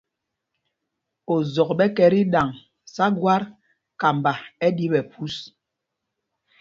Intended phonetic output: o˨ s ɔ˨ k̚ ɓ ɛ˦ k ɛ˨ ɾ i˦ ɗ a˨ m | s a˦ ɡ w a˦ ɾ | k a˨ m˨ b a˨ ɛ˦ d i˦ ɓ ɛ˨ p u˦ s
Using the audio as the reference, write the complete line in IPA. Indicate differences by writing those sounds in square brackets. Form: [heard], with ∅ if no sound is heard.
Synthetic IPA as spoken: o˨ [z] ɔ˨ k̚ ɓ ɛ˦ k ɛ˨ ɾ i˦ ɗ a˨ [ŋ] | s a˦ ɡ w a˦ ɾ | k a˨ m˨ b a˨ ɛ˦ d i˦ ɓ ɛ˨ p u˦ s